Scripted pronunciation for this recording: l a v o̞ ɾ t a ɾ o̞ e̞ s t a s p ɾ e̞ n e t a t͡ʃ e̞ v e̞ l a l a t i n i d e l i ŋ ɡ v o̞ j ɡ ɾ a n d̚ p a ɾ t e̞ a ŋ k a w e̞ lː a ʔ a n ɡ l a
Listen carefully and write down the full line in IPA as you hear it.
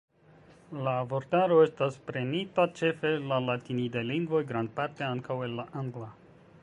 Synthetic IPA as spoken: l a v o̞ ɾ t a ɾ o̞ e̞ s t a s p ɾ e̞ n i t a t͡ʃ e̞ f e̞ l a l a t i n i d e l i ŋ ɡ v o̞ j ɡ ɾ a n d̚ p a ɾ t e̞ a ŋ k a w e̞ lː a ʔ a ŋ ɡ l a

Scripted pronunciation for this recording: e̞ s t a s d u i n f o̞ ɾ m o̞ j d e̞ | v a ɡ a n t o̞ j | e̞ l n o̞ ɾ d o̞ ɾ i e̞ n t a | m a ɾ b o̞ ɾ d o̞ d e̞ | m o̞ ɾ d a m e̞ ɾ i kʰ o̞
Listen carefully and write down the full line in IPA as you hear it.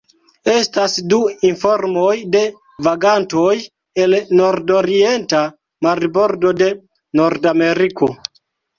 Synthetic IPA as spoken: e̞ s t a s d u i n f o̞ ɾ m o̞ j d e̞ | v a ɡ a n t o̞ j | e̞ l n o̞ ɾ d o̞ ɾ i e̞ n t a | m a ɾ b o̞ ɾ d o̞ d e̞ | n o̞ ɾ d a m e̞ ɾ i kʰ o̞

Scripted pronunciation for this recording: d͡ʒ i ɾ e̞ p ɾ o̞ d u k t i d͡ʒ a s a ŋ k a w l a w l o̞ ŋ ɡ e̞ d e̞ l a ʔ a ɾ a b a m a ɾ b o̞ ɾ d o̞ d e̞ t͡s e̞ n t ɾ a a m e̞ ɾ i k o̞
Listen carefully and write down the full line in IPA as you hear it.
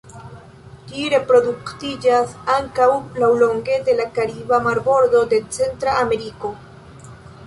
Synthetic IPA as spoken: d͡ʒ i ɾ e̞ p ɾ o̞ d u k t i d͡ʒ a s a ŋ k a w l a w l o̞ ŋ ɡ e̞ d e̞ l a k a ɾ i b a m a ɾ b o̞ ɾ d o̞ d e̞ t͡s e̞ n t ɾ a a m e̞ ɾ i k o̞

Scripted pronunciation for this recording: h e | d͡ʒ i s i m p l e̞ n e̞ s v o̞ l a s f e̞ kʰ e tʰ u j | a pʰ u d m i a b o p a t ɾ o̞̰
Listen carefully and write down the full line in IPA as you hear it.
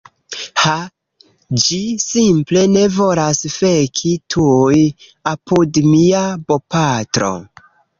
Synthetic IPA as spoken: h a | d͡ʒ i s i m p l e̞ n e̞ v o̞ l a s f e̞ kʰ i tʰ u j | a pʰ u d m i a b o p a t ɾ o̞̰

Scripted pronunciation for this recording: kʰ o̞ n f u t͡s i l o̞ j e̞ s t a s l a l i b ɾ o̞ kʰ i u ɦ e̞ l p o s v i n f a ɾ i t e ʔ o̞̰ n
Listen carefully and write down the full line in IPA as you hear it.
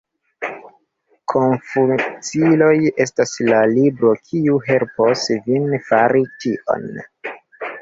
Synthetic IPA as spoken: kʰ o̞ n f u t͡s i l o̞ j e̞ s t a s l a l i b ɾ o̞ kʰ i u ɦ e̞ l p o s v i n f a ɾ i t i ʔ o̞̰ n

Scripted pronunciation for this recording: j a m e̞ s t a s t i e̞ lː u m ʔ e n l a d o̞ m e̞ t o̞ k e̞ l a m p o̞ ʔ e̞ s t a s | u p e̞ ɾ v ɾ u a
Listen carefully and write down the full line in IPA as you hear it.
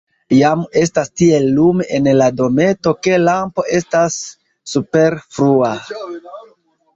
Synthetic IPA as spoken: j a m e̞ s t a s t i e̞ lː u m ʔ e n l a d o̞ m e̞ t o̞ k e̞ l a m p o̞ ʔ e̞ s t a sː | u p e̞ ɾ f ɾ u a

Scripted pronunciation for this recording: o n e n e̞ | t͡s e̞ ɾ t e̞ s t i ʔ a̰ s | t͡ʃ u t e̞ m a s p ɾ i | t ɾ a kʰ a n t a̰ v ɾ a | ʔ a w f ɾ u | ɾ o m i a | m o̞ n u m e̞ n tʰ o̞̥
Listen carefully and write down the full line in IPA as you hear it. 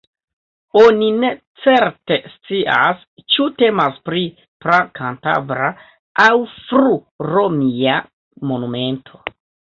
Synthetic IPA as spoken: o n i n e̞ | t͡s e̞ ɾ t e̞ s t͡s i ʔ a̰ s | t͡ʃ u t e̞ m a s p ɾ i | p ɾ a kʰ a n t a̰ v ɾ a | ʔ a w f ɾ u | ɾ o m i a | m o̞ n u m e̞ n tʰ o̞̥

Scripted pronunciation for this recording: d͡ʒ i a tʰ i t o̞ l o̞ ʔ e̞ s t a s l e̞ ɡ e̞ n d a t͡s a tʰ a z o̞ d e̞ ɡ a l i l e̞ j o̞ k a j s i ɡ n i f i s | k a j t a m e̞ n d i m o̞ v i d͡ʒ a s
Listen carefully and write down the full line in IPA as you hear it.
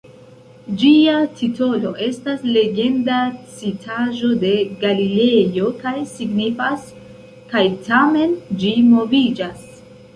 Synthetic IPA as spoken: d͡ʒ i a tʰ i t o̞ l o̞ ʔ e̞ s t a s l e̞ ɡ e̞ n d a t͡s i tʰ a ʒ o̞ d e̞ ɡ a l i l e̞ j o̞ k a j s i ɡ n i f a s | k a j t a m e̞ n d͡ʒ i m o̞ v i d͡ʒ a s

